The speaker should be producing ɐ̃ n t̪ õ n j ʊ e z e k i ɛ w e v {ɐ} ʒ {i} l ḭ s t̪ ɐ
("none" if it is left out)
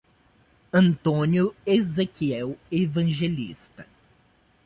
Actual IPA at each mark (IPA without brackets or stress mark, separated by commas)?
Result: ɐ̃, e